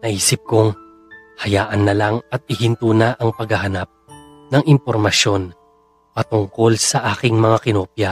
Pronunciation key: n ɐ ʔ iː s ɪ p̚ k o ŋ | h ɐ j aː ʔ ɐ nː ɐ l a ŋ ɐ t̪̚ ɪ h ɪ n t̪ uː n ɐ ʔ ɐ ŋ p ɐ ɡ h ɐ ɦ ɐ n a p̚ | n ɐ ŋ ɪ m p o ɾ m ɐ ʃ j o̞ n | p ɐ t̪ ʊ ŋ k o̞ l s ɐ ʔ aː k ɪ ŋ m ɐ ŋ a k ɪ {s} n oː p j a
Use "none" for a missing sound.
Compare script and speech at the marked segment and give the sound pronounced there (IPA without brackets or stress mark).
none